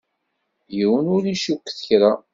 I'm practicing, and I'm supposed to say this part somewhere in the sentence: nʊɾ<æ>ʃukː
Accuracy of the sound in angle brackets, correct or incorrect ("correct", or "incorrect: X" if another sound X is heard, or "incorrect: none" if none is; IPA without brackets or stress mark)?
incorrect: i